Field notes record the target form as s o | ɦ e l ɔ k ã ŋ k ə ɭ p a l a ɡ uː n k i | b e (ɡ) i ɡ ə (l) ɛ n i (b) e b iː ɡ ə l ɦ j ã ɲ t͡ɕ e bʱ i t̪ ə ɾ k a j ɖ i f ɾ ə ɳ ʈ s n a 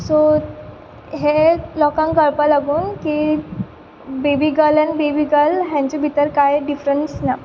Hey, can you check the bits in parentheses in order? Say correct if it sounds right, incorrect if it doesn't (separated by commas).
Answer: incorrect, correct, correct